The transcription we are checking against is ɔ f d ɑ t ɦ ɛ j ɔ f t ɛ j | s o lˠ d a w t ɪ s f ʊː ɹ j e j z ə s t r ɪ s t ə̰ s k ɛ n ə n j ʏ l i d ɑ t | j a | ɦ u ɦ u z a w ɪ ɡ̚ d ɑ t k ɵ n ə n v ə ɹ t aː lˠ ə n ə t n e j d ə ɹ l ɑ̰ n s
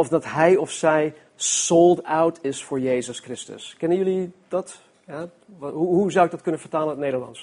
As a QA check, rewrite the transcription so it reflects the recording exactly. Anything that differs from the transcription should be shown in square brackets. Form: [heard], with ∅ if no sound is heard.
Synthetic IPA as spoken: ɔ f d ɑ t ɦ ɛ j ɔ f [s] ɛ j | s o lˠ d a w t ɪ s f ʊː ɹ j e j z ə s [k] r ɪ s t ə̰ s k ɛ n ə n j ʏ l i d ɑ t | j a | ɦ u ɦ u z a w ɪ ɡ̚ d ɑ t k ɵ n ə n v ə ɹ t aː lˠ ə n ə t n e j d ə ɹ l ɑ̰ n s